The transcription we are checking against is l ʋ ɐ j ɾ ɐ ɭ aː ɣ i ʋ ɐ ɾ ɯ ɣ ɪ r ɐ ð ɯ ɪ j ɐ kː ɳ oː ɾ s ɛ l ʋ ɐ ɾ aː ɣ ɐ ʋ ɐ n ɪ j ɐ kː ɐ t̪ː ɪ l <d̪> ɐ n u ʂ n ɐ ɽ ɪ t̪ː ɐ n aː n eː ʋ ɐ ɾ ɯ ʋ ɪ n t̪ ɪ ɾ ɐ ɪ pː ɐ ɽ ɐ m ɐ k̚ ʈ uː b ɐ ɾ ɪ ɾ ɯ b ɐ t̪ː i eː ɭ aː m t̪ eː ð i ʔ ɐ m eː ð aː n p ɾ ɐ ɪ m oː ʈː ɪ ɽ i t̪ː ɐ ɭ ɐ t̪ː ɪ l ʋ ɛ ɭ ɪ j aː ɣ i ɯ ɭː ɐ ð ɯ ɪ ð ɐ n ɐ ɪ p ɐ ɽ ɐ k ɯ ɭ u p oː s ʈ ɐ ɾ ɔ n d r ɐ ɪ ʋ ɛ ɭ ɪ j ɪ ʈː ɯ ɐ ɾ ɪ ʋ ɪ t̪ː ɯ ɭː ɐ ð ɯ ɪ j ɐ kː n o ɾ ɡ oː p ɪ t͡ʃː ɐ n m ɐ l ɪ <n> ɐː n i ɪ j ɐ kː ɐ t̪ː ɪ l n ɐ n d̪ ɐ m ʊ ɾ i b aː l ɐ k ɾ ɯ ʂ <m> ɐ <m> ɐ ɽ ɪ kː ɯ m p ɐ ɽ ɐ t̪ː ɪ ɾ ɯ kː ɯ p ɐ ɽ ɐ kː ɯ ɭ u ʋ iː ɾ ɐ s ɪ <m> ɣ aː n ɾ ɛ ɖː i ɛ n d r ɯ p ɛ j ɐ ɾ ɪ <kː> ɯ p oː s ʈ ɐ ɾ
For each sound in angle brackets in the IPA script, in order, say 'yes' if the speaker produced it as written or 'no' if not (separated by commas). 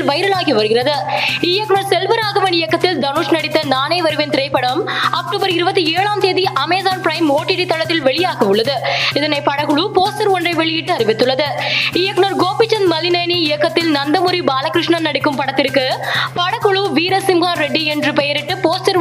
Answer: yes, yes, no, no, yes, no